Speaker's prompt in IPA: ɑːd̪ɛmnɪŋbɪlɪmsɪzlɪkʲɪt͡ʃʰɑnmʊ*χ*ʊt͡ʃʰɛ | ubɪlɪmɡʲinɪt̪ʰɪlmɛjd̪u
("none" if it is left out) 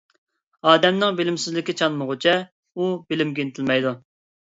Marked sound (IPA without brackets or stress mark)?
ʁ